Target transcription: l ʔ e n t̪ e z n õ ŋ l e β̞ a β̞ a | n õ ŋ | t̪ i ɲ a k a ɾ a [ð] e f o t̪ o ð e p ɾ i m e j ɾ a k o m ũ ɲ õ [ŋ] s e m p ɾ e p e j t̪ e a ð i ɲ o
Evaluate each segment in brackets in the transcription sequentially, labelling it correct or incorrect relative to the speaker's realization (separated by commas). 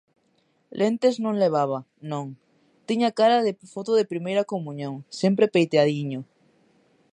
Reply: correct, correct